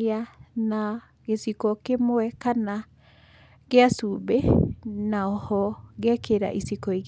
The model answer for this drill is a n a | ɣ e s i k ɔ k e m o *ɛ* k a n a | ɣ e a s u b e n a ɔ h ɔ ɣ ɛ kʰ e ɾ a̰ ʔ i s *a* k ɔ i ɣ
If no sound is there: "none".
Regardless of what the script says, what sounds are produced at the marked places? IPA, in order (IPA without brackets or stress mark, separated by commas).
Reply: ɛ, i